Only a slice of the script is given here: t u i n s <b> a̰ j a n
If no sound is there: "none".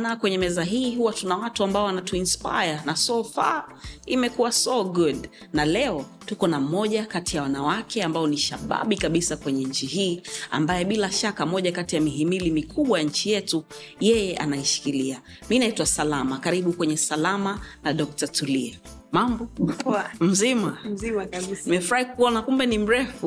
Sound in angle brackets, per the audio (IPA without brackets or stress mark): p